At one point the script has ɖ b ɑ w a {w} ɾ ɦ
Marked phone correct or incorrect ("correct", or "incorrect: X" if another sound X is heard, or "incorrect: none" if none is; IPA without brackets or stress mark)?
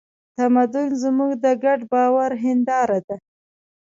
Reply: incorrect: none